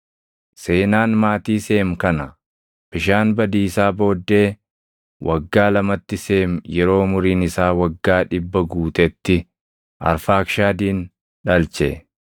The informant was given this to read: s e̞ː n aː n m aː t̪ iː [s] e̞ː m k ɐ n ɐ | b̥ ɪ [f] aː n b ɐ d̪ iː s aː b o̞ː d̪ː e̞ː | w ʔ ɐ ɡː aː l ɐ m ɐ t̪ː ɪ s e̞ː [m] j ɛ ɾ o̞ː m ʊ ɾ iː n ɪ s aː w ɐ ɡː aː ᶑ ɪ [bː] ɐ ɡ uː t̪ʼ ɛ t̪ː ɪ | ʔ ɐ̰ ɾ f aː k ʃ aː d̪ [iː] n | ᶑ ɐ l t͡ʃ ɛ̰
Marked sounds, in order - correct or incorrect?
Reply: correct, incorrect: ʃ, correct, correct, correct

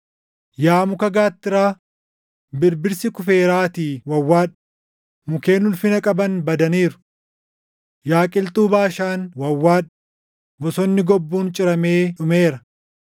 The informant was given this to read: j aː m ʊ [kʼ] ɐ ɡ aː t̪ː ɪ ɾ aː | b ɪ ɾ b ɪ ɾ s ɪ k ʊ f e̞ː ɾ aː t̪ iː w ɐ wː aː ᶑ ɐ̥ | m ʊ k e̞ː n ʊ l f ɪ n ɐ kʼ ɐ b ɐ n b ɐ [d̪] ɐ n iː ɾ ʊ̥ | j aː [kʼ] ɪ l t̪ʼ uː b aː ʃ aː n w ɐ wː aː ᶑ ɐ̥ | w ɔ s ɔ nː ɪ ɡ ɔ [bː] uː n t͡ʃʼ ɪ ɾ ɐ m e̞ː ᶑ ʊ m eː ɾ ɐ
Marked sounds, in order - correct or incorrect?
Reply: incorrect: k, correct, correct, correct

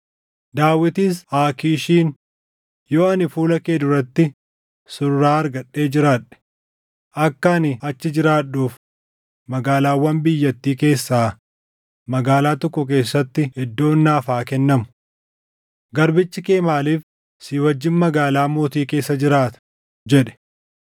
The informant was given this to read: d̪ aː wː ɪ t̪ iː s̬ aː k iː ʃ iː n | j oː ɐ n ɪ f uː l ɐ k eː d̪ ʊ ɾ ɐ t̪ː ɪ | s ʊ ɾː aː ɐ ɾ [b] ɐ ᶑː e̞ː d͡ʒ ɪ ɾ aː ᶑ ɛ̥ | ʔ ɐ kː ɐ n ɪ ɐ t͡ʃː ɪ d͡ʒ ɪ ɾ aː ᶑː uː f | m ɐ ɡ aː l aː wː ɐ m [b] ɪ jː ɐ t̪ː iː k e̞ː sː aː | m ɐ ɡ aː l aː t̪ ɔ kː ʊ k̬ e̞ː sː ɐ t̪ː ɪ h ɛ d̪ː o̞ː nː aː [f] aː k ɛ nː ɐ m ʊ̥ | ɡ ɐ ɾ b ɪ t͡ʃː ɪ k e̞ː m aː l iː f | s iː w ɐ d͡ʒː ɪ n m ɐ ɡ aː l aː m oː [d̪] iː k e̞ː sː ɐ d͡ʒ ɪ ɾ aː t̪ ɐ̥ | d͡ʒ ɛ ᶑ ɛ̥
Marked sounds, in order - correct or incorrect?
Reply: incorrect: ɡ, correct, correct, incorrect: t̪

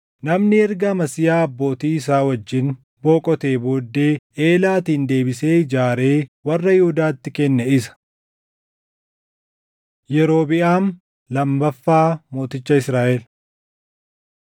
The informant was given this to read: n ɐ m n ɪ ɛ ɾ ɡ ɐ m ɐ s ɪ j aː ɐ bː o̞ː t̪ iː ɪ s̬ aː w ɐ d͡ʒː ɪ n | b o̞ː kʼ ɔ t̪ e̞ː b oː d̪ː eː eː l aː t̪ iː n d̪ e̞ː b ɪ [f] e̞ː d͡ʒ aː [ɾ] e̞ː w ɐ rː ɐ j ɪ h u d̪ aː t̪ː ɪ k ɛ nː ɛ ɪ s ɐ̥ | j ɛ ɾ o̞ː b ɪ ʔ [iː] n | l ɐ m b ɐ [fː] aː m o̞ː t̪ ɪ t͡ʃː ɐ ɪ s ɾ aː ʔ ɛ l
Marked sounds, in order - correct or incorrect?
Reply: incorrect: s, correct, incorrect: aː, correct

